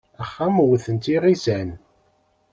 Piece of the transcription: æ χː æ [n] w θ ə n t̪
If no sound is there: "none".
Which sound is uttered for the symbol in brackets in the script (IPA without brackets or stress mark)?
m